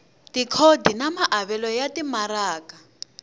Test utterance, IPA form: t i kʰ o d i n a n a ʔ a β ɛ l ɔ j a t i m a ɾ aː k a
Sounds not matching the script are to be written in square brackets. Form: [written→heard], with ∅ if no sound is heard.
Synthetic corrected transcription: t i kʰ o d i n a [n→m] a ʔ a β ɛ l ɔ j a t i m a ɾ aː k a